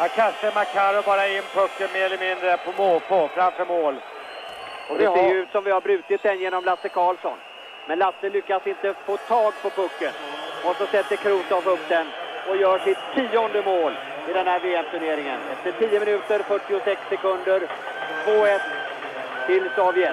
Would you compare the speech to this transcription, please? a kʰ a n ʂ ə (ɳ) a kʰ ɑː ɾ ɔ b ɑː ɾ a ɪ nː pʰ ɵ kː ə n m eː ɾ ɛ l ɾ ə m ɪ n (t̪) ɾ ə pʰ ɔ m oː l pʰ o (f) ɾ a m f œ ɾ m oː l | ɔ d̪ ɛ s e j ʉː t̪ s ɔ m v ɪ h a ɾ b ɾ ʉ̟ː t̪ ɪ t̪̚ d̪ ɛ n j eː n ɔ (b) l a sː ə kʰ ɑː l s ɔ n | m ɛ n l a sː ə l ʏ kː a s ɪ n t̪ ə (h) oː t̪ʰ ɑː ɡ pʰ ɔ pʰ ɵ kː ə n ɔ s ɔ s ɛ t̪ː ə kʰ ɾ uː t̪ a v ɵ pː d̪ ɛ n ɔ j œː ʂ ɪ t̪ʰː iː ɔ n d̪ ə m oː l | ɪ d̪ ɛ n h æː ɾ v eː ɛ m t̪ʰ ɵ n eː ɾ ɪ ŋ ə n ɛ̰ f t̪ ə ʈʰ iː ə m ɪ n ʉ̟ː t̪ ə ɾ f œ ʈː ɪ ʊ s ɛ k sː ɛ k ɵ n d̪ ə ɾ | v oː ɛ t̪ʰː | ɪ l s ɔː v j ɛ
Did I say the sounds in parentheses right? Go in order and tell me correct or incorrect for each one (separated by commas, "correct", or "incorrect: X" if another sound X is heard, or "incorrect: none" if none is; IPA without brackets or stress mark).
incorrect: m, incorrect: d̪, correct, incorrect: m, incorrect: f